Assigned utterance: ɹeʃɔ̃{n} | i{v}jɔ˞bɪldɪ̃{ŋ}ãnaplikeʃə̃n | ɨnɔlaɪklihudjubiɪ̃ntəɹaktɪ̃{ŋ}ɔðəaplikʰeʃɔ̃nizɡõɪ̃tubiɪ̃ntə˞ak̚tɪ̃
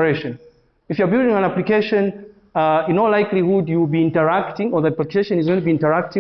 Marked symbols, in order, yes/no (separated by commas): yes, no, yes, yes